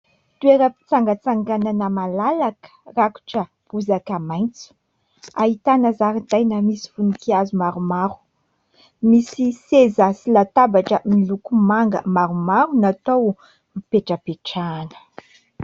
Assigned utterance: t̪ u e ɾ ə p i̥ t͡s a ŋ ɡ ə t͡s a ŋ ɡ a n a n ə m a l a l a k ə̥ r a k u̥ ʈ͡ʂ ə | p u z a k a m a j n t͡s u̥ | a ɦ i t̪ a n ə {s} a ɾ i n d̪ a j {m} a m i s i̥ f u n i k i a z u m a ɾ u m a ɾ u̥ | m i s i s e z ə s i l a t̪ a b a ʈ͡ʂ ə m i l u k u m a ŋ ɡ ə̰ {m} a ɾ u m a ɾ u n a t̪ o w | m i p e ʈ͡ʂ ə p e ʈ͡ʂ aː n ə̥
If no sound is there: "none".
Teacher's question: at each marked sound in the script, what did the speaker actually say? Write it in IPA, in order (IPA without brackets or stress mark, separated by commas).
z, n, m